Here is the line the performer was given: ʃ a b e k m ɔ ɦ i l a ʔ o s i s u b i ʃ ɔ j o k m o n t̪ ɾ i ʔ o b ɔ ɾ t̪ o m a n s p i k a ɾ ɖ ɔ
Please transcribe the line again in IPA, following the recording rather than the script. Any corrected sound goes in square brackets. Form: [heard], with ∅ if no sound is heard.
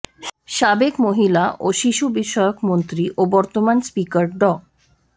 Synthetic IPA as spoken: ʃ a b e k m [o] ɦ i l a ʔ o [ʃ] i [ʃ] u b i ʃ ɔ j o k m o n t̪ ɾ i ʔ o b ɔ ɾ t̪ o m a n s p i k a ɾ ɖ ɔ